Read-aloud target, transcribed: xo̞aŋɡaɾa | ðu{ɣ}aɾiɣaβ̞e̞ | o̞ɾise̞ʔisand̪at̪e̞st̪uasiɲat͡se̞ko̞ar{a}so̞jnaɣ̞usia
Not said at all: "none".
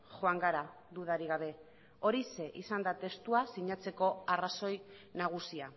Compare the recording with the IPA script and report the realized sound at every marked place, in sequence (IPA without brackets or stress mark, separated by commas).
ð, a